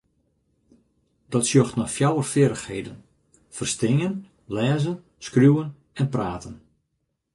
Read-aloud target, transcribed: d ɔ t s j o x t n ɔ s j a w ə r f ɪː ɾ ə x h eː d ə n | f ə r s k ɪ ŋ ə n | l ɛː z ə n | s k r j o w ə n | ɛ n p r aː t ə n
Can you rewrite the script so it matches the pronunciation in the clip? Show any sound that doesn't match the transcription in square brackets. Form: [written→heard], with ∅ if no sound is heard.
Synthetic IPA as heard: d ɔ t s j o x t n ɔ [s→f] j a w ə r f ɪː ɾ ə x h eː d ə n | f ə r s [k→t] ɪ ŋ ə n | l ɛː z ə n | s k r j [o→u] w ə n | ɛ n p r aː t ə n